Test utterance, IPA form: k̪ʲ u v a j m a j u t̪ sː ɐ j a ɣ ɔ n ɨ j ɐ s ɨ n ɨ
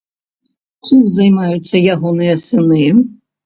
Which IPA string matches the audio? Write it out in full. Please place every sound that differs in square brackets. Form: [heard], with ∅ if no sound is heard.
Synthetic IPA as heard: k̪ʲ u [z] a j m a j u t̪ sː ɐ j a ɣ ɔ n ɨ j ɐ s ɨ n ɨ